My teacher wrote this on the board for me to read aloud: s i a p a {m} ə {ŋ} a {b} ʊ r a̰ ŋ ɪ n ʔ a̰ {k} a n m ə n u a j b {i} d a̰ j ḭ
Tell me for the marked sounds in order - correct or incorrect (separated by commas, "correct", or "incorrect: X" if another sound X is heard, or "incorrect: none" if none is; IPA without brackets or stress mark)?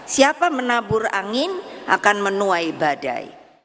correct, incorrect: n, correct, correct, incorrect: a